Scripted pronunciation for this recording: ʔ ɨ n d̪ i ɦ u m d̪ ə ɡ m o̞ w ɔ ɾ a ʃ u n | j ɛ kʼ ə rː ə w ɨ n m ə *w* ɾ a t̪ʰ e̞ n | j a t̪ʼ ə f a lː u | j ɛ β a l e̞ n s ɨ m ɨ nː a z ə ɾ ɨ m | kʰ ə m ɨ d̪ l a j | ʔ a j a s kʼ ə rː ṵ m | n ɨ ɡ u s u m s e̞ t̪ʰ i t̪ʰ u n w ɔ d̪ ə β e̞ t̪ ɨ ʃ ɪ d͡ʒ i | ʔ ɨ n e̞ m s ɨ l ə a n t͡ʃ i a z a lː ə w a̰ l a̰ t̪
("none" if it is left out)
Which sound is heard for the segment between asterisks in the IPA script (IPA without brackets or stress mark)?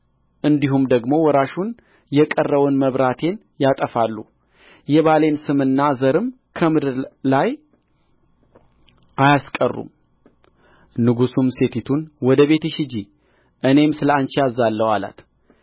β